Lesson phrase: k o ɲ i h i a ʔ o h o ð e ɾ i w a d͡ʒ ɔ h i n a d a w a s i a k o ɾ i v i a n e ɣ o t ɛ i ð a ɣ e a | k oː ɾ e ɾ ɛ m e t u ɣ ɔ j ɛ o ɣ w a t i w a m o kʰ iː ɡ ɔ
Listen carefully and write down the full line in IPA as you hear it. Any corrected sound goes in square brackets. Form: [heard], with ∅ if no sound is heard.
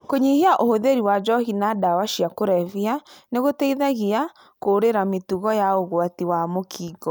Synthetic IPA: k o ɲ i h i a ʔ o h o ð e ɾ i w a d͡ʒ ɔ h i n a d a w a [ʃ] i a k o ɾ [ɛ] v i a n e ɣ o t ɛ i ð a ɣ [i] a | k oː ɾ e ɾ [a] m e t u ɣ ɔ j [a] o ɣ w a t i w a m o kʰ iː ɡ ɔ